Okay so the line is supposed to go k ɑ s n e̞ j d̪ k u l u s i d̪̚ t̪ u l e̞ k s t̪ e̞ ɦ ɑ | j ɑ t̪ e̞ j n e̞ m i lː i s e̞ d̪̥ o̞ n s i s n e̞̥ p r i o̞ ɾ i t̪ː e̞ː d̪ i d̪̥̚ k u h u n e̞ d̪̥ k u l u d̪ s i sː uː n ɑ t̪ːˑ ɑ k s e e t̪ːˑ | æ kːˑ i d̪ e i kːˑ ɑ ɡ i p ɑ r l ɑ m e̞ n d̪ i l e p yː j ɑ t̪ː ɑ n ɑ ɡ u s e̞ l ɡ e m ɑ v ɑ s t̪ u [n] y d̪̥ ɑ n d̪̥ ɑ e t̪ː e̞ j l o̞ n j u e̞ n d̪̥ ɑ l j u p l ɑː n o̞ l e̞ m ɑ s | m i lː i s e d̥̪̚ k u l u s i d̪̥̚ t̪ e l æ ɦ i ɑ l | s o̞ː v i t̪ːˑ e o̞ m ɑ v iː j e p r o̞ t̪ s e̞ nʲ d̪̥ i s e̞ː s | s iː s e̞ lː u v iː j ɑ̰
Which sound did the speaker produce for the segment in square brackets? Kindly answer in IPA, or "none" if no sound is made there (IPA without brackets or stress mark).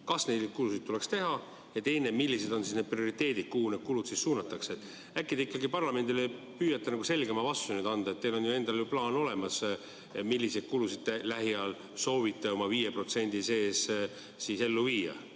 n